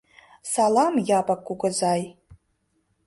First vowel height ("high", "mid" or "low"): low